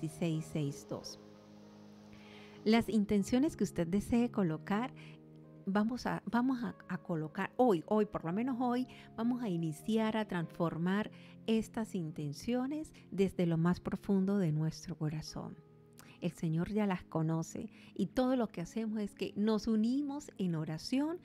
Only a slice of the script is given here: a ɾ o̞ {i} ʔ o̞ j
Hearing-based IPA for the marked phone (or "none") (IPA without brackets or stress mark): j